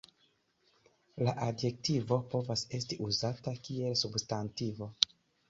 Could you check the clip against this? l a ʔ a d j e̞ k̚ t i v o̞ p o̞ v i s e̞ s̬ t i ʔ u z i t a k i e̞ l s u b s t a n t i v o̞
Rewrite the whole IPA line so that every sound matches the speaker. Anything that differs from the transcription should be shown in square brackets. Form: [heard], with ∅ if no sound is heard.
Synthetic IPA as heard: l a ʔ a d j e̞ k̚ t i v o̞ p o̞ v [a] s e̞ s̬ t i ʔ u z [a] t a k i e̞ l s u b s t a n t i v o̞

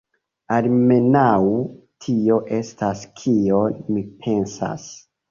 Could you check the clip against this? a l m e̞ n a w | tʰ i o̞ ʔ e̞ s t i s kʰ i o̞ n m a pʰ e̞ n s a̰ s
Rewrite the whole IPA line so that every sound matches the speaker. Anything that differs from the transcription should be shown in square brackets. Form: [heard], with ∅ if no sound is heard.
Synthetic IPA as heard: a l m e̞ n a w | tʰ i o̞ ʔ e̞ s t [a] s kʰ i o̞ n m [i] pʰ e̞ n s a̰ s

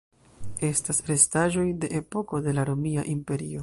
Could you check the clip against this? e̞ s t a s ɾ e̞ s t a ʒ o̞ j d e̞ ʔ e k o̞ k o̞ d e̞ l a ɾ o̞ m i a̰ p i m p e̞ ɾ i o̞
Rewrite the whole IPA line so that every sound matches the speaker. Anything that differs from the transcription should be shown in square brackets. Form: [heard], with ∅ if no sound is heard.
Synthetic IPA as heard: e̞ s t a s ɾ e̞ s t a ʒ o̞ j d e̞ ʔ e [p] o̞ k o̞ d e̞ l a ɾ o̞ m i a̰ [ʔ] i m p e̞ ɾ i o̞

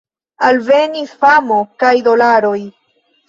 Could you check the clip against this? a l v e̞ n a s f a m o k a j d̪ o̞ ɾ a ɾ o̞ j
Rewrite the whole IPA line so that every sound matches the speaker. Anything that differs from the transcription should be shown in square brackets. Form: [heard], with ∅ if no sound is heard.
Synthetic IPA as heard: a l v e̞ n [i] s f a m o k a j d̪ o̞ [l] a ɾ o̞ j

